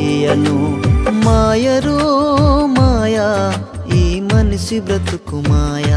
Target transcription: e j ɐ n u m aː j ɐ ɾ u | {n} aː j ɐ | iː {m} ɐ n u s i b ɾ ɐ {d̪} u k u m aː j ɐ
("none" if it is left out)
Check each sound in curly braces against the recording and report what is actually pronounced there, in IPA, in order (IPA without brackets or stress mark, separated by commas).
m, m, t̪